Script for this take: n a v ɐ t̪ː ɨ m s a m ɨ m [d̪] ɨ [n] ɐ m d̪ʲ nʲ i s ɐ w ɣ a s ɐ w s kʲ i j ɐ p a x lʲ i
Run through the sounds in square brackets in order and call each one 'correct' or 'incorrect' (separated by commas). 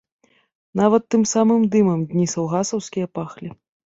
correct, incorrect